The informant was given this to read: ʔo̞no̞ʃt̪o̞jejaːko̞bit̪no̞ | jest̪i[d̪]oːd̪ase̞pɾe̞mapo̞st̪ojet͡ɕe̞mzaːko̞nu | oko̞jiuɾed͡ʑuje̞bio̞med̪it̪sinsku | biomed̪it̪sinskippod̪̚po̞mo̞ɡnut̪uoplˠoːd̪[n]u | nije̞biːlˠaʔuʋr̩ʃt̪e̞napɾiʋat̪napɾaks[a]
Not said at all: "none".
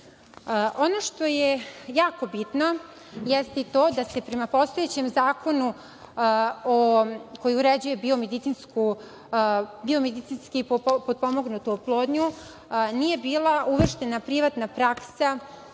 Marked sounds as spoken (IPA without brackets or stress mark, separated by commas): t̪, ɲ, a